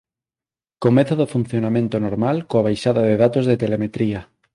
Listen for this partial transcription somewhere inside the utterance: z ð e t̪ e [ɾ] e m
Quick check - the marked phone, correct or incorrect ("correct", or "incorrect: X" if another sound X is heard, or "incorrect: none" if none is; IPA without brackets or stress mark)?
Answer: incorrect: l